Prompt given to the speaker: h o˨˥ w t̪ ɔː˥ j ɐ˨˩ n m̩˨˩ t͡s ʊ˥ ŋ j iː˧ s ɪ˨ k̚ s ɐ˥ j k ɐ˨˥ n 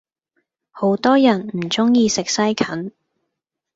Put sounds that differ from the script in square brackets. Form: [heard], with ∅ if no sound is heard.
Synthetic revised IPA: h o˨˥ w t̪ ɔː˥ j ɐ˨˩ n m̩˨˩ t͡s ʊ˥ ŋ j iː˧ s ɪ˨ k̚ s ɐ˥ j [kʰ] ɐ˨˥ n